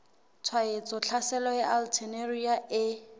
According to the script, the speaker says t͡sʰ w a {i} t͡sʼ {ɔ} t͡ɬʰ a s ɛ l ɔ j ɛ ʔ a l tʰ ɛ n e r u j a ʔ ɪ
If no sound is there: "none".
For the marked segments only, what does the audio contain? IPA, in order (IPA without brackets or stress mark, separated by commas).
e, ɔ